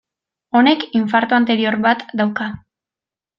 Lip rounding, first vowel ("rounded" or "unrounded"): rounded